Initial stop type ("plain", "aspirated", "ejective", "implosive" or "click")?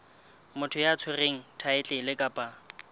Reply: aspirated